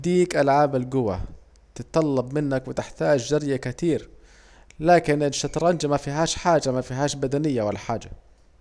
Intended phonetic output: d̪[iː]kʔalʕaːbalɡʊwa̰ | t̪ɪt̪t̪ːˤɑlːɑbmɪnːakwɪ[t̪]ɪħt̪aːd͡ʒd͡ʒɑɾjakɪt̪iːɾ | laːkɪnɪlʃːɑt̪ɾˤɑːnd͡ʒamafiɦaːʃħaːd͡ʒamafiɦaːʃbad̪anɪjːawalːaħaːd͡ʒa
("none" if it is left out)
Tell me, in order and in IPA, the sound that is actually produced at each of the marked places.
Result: iː, t̪

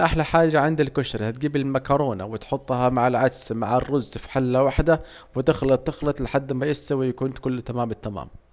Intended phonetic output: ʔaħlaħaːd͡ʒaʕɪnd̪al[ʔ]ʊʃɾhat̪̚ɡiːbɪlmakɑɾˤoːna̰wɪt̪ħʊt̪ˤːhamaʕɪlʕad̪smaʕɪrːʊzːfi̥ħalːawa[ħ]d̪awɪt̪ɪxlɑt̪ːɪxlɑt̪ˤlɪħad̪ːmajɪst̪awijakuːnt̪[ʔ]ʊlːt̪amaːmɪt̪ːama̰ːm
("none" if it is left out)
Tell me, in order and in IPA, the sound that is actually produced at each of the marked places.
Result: k, ħ, k

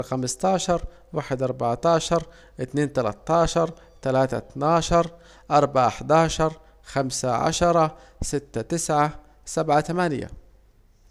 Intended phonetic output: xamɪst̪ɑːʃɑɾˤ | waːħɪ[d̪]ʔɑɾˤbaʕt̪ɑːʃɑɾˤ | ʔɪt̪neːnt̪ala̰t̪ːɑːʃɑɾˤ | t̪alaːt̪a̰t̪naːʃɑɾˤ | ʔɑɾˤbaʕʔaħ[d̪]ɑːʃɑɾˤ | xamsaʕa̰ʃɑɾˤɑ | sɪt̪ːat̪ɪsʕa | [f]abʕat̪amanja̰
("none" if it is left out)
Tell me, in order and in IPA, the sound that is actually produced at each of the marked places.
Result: d̪, d̪, s

